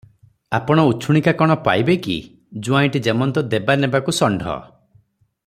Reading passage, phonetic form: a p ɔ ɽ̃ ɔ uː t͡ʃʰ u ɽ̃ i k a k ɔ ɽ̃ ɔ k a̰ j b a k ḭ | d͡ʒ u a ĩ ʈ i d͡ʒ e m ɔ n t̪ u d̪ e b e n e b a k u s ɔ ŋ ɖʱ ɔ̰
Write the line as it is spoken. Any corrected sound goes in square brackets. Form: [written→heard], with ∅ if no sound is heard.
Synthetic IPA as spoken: a p ɔ ɽ̃ ɔ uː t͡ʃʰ u ɽ̃ i k a k ɔ ɽ̃ ɔ [k→p] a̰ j b [a→e] k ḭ | d͡ʒ u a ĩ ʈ i d͡ʒ e m ɔ n t̪ [u→ɔ] d̪ e b [e→a] n e b a k u s ɔ [ŋ→ɳ] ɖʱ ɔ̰